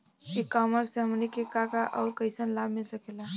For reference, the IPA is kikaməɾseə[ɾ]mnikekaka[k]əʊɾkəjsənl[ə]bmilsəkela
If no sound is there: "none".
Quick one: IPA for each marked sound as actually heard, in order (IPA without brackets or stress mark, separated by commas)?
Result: none, ʔ, a